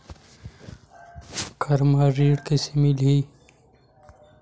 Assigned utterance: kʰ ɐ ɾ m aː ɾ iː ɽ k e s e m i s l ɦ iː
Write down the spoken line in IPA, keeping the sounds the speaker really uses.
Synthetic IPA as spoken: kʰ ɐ ɾ m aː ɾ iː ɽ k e s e m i l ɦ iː